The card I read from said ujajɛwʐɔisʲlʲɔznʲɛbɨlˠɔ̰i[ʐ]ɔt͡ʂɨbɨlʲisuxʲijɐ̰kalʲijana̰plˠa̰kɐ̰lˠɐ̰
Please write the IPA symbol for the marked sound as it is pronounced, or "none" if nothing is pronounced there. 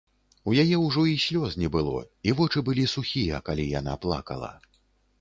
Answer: v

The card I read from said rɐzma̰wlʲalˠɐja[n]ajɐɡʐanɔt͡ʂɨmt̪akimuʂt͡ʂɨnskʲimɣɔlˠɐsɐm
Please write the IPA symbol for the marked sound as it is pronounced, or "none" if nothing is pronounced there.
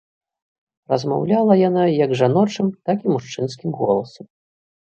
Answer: n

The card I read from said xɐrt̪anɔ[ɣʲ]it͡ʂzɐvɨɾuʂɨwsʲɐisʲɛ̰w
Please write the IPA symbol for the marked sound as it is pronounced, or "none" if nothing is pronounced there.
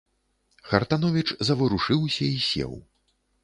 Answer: vʲ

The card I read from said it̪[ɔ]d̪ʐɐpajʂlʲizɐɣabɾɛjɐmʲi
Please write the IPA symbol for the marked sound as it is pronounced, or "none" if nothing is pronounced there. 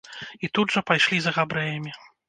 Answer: u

